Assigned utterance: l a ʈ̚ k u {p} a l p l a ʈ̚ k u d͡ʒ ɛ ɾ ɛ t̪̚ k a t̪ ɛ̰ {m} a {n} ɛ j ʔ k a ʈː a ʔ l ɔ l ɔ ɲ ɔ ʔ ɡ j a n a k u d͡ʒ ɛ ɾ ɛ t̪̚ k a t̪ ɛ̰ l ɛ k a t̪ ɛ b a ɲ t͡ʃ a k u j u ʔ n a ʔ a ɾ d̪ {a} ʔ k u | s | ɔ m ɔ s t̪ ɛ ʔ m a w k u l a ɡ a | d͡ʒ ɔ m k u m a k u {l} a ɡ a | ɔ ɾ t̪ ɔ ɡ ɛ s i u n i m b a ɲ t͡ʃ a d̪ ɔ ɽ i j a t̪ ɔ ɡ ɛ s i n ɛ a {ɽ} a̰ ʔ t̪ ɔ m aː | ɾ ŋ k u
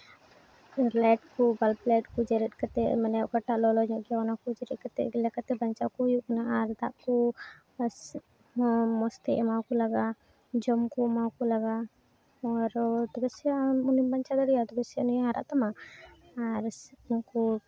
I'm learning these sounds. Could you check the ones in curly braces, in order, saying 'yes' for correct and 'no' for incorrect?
no, yes, yes, yes, yes, no

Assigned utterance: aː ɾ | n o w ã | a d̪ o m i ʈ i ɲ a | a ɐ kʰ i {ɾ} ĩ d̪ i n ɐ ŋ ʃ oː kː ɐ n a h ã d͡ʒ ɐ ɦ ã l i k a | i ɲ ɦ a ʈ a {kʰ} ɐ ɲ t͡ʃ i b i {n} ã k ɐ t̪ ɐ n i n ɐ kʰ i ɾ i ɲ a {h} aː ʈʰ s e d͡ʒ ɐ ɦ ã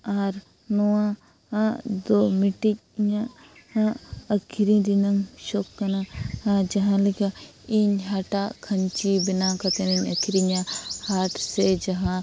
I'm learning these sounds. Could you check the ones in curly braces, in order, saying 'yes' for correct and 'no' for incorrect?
yes, yes, yes, yes

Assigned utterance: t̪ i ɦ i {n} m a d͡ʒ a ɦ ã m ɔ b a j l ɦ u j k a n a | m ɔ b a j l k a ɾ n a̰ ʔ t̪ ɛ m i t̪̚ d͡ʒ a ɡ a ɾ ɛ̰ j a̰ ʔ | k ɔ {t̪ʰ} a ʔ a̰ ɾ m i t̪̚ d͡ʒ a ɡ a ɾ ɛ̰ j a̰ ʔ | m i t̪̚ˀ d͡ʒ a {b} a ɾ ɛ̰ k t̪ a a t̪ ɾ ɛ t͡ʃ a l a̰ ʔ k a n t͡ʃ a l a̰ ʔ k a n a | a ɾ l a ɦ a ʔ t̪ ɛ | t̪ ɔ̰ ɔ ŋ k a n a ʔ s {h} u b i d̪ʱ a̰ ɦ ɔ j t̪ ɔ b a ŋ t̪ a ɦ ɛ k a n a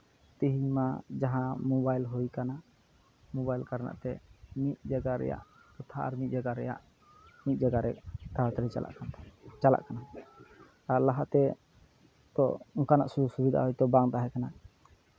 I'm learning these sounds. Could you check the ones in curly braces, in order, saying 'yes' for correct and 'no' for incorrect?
no, yes, no, no

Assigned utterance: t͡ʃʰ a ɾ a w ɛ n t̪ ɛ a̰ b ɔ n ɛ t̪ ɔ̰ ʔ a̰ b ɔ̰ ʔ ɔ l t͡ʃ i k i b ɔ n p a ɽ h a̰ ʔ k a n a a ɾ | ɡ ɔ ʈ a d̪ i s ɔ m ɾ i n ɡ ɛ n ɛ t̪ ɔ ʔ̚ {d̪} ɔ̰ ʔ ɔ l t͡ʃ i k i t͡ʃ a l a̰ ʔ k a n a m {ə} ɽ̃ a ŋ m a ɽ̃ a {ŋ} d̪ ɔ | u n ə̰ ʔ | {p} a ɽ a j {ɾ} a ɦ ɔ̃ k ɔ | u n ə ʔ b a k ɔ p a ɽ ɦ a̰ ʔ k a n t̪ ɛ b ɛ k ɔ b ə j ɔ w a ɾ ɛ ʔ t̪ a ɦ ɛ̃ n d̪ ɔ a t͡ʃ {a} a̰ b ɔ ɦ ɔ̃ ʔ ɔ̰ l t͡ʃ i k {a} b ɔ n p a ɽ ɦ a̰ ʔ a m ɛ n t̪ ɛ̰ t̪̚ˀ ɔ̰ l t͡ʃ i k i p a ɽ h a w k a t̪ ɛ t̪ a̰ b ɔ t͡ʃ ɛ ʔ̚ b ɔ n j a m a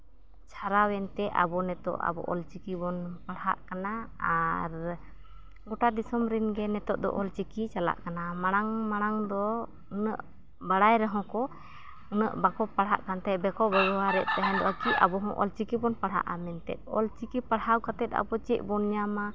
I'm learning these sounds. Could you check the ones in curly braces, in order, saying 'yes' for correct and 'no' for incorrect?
yes, no, yes, no, yes, no, no

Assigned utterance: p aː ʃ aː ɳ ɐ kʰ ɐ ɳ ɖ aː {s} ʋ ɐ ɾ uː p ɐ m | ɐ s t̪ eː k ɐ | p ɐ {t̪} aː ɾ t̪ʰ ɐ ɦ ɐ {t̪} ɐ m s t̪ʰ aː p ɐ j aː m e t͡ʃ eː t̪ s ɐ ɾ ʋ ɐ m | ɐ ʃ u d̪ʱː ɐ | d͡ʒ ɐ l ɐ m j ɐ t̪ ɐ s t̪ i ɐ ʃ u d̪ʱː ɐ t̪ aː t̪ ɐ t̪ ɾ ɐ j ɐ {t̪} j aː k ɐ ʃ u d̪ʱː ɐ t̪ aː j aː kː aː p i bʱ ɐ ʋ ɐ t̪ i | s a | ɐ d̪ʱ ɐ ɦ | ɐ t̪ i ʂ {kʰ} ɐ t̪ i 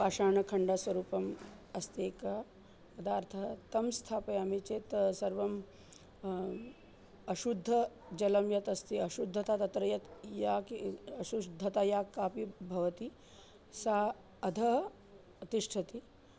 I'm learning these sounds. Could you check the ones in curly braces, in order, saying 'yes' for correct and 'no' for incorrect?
yes, no, yes, yes, no

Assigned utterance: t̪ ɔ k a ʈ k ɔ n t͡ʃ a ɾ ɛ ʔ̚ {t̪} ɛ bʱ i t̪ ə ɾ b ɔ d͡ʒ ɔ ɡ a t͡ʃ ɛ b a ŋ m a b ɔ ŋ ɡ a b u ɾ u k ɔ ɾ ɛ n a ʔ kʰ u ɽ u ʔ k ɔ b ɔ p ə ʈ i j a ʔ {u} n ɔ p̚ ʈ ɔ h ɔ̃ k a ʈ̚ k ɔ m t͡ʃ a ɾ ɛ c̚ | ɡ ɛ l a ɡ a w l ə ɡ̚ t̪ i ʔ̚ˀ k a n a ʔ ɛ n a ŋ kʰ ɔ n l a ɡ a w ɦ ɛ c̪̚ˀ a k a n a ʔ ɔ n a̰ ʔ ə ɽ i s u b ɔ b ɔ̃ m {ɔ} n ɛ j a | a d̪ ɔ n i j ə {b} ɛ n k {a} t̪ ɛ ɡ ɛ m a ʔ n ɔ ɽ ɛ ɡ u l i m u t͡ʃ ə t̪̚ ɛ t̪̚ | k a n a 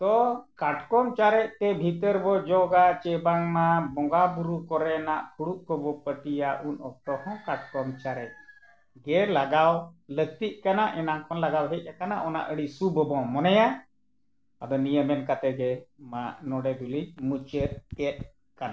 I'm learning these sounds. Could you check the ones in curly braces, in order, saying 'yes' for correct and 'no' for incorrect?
yes, yes, yes, no, yes

